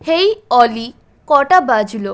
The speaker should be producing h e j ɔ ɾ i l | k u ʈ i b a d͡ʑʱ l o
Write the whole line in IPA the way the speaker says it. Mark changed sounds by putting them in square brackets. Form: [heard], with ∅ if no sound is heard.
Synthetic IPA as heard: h e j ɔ [l] i [∅] | k [ɔ] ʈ [a] b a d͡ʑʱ l o